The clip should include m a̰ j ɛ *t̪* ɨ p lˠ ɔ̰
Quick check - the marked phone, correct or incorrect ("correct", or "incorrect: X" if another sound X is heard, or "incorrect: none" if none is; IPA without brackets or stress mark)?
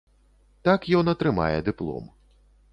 incorrect: d̪